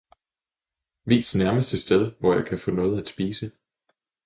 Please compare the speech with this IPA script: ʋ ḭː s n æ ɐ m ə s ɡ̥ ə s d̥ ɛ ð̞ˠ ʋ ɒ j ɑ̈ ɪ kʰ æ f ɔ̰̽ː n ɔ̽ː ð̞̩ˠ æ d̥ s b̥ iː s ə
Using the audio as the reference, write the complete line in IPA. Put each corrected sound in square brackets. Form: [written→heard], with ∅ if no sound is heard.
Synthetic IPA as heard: ʋ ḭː s n æ ɐ m ə s [ɡ̥→d̥] ə s d̥ [ɛ→e] ð̞ˠ ʋ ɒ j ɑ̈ ɪ kʰ æ f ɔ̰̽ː n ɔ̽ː ð̞̩ˠ æ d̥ s b̥ iː s ə